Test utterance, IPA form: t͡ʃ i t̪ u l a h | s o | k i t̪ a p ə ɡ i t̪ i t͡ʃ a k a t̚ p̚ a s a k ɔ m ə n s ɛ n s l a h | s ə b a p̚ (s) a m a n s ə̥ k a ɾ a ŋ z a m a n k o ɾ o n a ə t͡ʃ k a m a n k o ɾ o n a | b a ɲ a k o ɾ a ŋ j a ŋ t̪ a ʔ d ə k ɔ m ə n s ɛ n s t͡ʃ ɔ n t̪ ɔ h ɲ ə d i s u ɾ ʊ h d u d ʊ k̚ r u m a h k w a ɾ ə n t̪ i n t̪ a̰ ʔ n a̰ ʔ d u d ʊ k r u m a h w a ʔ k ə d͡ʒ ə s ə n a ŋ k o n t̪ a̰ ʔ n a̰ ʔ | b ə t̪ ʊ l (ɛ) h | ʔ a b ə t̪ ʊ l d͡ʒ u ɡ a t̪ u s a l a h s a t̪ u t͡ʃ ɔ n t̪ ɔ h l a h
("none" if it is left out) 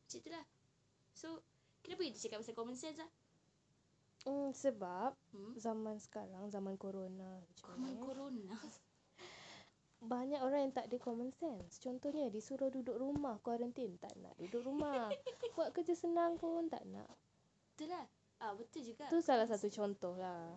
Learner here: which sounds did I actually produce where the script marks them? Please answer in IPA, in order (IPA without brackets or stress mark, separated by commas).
z, a